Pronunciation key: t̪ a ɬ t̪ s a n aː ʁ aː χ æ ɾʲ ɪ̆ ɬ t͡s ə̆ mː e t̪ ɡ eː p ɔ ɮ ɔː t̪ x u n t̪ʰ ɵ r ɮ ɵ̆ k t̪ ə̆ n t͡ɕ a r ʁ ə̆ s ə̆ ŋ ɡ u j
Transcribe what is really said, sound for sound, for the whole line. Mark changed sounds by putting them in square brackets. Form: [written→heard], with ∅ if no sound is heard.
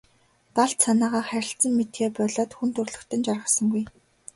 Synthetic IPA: t̪ a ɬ t̪ s a n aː ʁ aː χ æ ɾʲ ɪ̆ ɬ t͡s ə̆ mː e t̪ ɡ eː p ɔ ɮ ɔː t̪ x u n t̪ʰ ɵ r ɮ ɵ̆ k t̪ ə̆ n t͡ɕ a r ʁ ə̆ s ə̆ ŋ ɡ u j